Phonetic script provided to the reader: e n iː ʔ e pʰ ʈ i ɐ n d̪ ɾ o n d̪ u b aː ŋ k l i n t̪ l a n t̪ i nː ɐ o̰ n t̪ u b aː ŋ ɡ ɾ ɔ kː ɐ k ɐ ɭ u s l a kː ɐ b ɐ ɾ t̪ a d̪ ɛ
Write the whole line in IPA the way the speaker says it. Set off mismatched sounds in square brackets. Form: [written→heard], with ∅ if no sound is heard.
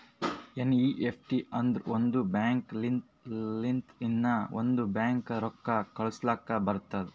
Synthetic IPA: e n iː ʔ e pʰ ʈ i ɐ n d̪ ɾ o n d̪ u b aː ŋ k l i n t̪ l [a→i] n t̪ i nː ɐ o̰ n [t̪→d̪] u b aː ŋ [ɡ→k] ɾ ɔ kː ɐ k ɐ ɭ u s l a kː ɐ b ɐ ɾ t̪ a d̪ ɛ